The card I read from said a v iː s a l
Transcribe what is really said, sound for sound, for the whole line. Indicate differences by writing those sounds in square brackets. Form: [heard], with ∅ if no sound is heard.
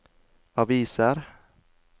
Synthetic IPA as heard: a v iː s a [ɾ]

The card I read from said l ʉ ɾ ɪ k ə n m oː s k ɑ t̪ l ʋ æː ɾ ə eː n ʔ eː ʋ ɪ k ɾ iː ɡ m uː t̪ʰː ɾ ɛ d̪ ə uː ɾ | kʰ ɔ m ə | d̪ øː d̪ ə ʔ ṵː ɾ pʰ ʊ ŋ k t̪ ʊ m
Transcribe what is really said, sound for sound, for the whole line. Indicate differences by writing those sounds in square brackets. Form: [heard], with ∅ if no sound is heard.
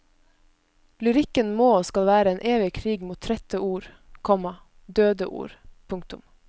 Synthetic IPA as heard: l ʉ ɾ ɪ k ə n m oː s k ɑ [∅] l ʋ æː ɾ ə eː n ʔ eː ʋ ɪ [kʰ] ɾ iː ɡ m uː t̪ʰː ɾ ɛ [t̪] ə uː ɾ | kʰ ɔ m [ɑ] | d̪ øː d̪ ə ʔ ṵː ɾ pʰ ʊ ŋ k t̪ ʊ m

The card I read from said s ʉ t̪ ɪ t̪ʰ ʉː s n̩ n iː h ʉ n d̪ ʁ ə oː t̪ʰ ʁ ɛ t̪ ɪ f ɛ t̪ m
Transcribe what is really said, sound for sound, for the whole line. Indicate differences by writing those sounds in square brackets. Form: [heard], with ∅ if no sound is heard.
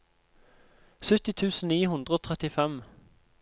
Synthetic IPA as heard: s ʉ t̪ ɪ t̪ʰ ʉː s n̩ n iː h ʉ n d̪ ʁ ə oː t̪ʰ ʁ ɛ t̪ ɪ f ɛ [∅] m

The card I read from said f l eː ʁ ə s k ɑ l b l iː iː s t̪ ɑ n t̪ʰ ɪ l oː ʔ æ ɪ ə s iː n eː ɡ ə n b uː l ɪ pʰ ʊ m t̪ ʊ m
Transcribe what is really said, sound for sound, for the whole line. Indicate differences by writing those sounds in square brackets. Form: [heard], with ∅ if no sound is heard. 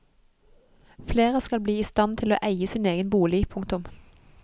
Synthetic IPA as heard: f l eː ʁ ə s k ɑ l b l iː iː s t̪ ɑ n t̪ʰ ɪ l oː ʔ æ ɪ ə s iː n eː ɡ ə n b uː l ɪ pʰ ʊ [ŋ] t̪ ʊ m

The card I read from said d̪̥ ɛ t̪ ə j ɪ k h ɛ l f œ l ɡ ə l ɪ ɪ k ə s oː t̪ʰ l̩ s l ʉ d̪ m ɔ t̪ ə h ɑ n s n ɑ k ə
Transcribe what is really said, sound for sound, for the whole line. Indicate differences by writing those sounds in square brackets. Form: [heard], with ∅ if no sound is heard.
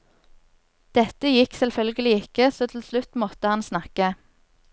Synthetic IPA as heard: d̪̥ ɛ t̪ ə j ɪ k [s] ɛ l f œ l ɡ ə l ɪ ɪ k ə s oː t̪ʰ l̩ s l ʉ [t̪] m ɔ t̪ ə h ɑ n s n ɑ k ə

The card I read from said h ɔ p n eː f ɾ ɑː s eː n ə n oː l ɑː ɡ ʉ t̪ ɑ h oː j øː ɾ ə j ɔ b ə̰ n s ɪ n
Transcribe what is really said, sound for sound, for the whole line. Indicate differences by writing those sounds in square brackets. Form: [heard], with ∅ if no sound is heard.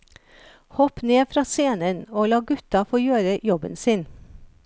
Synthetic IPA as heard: h ɔ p n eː f ɾ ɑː s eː n ə n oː l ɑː ɡ ʉ t̪ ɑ [f] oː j øː ɾ ə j ɔ b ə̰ n s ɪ n

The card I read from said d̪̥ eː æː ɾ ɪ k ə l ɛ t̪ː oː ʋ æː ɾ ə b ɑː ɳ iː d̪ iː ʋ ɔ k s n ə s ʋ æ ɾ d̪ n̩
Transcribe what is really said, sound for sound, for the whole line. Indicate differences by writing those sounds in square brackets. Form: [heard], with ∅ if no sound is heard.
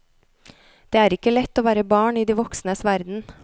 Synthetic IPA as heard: d̪̥ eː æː ɾ ɪ k ə l ɛ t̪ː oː ʋ æː ɾ ə b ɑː ɳ iː d̪ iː ʋ ɔ k s n ə s ʋ æ ɾ d̪ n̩

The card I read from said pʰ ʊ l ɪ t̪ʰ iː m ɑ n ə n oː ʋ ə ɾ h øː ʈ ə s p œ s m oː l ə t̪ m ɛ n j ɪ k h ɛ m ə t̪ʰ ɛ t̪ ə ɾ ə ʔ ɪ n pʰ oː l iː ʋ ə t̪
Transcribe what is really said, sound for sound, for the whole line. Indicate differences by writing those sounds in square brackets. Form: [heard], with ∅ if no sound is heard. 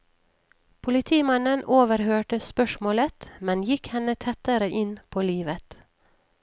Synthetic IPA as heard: pʰ ʊ l ɪ t̪ʰ iː m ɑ n ə n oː ʋ ə ɾ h øː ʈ ə s p œ [ʃ] m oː l ə t̪ m ɛ n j ɪ k h ɛ [n] ə t̪ʰ ɛ t̪ ə ɾ ə ʔ ɪ n pʰ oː l iː ʋ ə t̪

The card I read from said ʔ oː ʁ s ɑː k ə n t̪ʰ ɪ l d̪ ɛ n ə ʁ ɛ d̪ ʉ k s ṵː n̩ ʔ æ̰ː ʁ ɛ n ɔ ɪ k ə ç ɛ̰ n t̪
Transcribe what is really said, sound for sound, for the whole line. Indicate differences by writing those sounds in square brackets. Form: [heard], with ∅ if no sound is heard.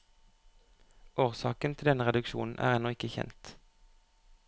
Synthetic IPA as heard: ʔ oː ʁ s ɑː k ə n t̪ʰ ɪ l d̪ ɛ n ə ʁ ɛ d̪ ʉ k [ʃ] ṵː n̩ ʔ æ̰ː ʁ ɛ n ɔ ɪ k ə ç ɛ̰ n t̪

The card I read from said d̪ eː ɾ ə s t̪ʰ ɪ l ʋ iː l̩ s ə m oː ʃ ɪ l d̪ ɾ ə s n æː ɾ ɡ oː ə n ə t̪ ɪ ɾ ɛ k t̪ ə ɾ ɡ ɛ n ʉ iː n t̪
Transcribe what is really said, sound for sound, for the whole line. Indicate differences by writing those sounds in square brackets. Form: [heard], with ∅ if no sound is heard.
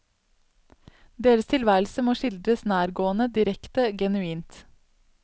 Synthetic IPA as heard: d̪ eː ɾ ə s t̪ʰ ɪ l ʋ [æː] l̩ s ə m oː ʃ ɪ l d̪ ɾ ə s n æː ɾ ɡ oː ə n ə [d̪] ɪ ɾ ɛ k t̪ ə [∅] ɡ ɛ n ʉ iː n t̪

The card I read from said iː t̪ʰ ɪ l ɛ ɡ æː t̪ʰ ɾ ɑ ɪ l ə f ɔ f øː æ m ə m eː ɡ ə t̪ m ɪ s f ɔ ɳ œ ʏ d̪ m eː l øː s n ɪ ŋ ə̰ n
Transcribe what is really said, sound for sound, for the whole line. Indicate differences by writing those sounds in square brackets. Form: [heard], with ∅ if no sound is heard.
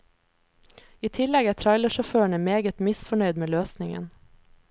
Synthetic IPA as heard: iː t̪ʰ ɪ l ɛ ɡ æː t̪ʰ ɾ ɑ ɪ l ə [ʃ] ɔ f øː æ [ɳ] ə m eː ɡ ə t̪ m ɪ s f ɔ ɳ œ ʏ d̪ m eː l øː s n ɪ ŋ ə̰ n

